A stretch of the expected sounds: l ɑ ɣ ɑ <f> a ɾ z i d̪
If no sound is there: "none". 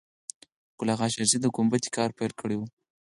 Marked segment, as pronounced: ʃ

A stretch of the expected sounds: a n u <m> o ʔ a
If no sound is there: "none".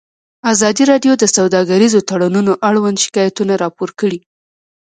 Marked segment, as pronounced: n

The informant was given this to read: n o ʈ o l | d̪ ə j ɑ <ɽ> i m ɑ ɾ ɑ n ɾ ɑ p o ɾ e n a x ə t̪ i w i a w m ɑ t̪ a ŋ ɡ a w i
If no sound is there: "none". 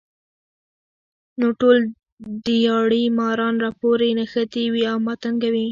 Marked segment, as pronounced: ɽ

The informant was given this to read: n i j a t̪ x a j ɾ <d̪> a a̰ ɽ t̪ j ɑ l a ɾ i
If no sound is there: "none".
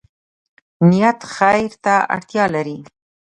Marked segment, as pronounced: t̪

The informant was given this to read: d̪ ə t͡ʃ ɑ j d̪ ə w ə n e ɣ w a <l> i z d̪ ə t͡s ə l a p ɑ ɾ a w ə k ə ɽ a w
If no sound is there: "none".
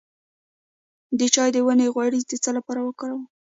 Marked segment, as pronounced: ɽ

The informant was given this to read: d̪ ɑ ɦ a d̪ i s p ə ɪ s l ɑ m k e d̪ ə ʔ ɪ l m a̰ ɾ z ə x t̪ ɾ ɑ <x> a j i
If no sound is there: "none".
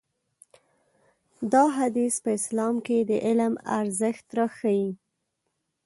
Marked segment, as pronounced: x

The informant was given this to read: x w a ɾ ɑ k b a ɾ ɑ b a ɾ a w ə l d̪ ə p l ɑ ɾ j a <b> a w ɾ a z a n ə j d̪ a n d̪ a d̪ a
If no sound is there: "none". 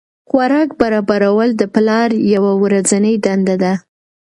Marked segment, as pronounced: w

